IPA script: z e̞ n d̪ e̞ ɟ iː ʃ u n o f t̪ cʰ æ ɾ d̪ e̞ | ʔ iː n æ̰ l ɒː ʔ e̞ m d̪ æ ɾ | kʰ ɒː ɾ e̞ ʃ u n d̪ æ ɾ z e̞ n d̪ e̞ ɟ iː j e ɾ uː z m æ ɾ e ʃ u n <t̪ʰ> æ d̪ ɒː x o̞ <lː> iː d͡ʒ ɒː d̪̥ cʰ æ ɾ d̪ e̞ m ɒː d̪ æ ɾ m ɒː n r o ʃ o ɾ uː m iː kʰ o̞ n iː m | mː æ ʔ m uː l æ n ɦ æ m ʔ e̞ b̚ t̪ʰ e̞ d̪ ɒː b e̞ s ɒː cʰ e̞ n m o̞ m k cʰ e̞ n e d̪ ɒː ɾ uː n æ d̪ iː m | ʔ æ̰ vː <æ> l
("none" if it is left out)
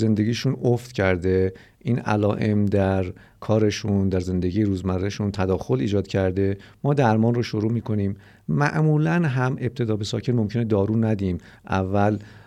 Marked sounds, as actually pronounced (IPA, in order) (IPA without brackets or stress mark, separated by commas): t̪ʰ, l, æ